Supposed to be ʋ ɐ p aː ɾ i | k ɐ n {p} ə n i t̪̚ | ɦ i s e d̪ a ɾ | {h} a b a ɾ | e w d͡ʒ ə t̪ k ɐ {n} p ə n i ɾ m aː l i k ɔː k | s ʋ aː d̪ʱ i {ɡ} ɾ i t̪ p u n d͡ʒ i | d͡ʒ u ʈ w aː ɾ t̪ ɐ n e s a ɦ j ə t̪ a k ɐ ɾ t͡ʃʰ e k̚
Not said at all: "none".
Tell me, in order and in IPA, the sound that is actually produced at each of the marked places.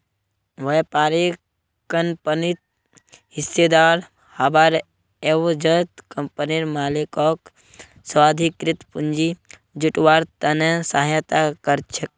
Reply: p, h, m, k

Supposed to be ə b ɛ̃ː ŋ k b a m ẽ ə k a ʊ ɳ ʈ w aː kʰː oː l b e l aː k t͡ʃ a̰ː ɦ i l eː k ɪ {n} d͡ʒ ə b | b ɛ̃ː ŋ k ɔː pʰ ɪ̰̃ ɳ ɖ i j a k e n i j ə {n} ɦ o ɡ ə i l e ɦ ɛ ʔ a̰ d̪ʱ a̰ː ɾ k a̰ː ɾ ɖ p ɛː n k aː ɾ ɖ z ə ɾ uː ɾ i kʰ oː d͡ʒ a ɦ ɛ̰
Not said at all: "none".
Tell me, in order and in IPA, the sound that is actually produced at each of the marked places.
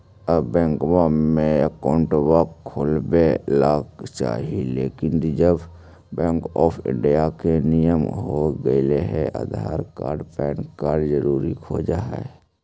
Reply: n, m

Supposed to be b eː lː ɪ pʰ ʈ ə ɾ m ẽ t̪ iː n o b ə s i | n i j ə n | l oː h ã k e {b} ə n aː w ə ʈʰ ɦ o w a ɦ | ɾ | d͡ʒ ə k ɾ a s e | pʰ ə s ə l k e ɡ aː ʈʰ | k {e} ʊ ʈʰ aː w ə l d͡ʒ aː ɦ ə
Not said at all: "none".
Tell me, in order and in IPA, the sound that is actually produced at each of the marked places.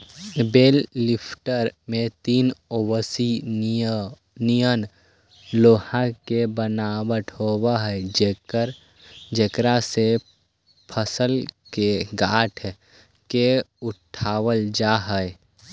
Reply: b, e

